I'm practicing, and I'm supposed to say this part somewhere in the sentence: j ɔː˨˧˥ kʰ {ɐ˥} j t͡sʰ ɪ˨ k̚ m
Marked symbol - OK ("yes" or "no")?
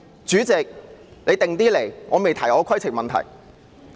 yes